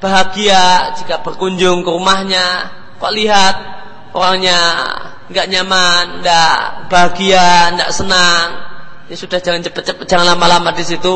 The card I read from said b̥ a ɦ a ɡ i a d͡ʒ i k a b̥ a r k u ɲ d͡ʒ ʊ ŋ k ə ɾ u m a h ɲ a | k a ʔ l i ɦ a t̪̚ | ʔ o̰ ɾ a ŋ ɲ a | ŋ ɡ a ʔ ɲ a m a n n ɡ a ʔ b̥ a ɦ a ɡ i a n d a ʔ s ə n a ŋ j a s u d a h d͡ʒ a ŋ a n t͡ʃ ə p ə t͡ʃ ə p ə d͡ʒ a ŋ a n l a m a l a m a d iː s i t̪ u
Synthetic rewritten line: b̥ a ɦ a ɡ i a d͡ʒ i k a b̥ ə r k u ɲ d͡ʒ ʊ ŋ k ə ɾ u m a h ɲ a | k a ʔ l i ɦ a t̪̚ | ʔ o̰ ɾ a ŋ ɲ a | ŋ ɡ a ʔ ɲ a m a n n d a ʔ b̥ a ɦ a ɡ i a n d a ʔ s ə n a ŋ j a s u d a h d͡ʒ a ŋ a n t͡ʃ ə p ə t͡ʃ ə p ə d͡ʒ a ŋ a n l a m a l a m a d i s i t̪ u